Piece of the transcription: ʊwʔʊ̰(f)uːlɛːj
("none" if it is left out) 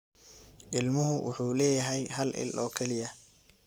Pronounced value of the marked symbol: ħ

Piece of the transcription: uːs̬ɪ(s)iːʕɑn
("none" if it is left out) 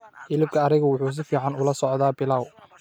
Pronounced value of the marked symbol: f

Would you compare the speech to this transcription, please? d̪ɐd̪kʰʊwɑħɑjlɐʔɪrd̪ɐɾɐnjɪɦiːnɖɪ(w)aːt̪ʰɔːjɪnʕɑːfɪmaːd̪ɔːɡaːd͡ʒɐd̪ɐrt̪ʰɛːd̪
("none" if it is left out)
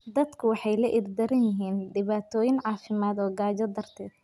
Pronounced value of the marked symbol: β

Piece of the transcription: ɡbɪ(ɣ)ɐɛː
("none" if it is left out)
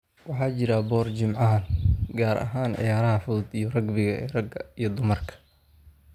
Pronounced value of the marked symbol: ɣ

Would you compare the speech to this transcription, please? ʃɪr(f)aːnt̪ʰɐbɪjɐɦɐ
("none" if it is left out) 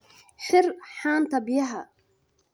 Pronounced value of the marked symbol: ħ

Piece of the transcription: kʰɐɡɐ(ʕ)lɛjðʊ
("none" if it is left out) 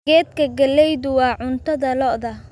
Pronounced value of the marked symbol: none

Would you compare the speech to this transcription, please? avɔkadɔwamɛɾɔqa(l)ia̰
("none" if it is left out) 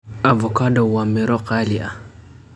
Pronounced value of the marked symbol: l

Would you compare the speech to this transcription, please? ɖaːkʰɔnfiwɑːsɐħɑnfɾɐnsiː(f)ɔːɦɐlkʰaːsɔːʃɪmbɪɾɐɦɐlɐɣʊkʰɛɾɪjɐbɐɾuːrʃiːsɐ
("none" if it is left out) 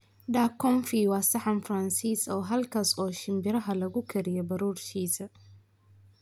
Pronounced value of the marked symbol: s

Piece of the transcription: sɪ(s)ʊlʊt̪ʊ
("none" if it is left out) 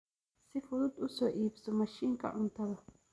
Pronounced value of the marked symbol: f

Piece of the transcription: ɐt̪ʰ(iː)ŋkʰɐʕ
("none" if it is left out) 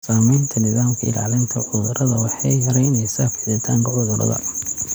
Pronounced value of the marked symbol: aː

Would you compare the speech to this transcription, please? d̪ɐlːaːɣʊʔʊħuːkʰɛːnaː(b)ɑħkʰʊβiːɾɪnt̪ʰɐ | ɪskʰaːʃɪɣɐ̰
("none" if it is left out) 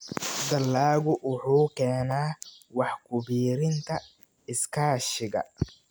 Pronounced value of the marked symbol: w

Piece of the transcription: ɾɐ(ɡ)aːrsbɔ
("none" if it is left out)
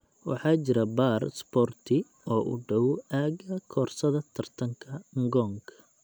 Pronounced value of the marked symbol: b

